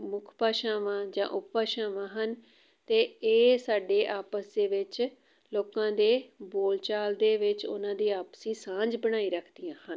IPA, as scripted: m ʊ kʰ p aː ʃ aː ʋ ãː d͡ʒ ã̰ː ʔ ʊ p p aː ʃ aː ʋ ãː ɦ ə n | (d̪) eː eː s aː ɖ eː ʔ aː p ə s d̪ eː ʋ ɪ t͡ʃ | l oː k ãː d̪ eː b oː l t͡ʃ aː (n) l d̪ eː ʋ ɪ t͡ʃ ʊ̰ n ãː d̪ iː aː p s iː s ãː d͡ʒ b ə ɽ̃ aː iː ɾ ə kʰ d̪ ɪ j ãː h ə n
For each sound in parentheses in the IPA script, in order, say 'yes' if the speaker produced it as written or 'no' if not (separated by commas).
no, no